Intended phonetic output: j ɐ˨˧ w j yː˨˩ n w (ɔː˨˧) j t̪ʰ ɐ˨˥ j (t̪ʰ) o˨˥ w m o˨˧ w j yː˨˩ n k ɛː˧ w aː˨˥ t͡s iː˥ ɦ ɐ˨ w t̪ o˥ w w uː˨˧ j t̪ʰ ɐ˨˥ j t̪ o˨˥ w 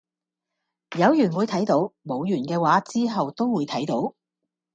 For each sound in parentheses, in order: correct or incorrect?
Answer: incorrect, incorrect

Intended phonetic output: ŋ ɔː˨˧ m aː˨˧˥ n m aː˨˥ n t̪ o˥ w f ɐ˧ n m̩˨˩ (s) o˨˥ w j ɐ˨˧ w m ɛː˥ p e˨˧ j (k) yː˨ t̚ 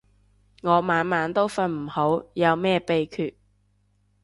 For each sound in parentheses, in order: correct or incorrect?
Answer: incorrect, incorrect

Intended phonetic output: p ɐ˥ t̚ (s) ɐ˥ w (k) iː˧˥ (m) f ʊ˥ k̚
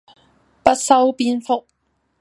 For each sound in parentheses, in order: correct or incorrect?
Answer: correct, incorrect, incorrect

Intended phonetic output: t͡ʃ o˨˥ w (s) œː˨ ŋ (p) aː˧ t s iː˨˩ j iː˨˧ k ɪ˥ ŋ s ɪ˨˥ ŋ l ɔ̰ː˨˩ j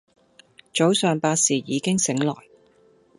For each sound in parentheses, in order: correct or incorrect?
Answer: correct, correct

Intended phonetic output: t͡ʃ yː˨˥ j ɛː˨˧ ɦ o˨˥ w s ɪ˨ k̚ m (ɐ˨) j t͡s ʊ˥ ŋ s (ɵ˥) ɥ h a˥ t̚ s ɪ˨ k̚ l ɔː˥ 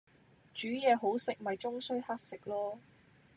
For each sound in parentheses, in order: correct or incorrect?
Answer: correct, correct

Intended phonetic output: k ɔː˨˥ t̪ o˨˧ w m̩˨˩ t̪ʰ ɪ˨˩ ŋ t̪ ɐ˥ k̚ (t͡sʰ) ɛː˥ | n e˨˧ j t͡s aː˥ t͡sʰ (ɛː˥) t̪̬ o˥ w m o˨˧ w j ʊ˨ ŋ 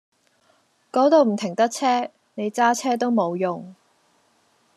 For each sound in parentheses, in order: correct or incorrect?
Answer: correct, correct

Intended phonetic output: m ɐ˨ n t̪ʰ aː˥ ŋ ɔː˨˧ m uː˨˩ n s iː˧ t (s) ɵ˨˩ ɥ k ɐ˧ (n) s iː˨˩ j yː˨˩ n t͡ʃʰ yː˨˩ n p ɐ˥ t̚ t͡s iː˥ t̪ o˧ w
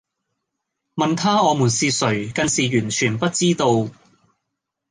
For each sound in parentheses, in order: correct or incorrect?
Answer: correct, correct

